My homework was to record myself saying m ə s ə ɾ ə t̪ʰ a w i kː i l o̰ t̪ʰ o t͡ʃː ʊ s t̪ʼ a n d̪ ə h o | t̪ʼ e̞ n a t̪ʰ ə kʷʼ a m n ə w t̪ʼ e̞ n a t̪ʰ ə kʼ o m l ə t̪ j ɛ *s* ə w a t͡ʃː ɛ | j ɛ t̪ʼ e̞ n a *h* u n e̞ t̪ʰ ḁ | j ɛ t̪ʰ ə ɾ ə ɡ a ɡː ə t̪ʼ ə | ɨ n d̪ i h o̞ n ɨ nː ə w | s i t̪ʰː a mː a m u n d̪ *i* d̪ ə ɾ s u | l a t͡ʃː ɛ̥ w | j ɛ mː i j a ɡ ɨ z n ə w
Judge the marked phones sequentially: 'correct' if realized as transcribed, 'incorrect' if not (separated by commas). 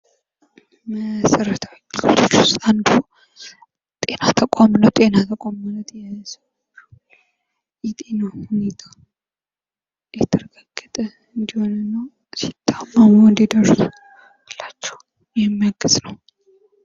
correct, correct, correct